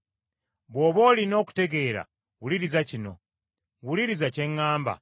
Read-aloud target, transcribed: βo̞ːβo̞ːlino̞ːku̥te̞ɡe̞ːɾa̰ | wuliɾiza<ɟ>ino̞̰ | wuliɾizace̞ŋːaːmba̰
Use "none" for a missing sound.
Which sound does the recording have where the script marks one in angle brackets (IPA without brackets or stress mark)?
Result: c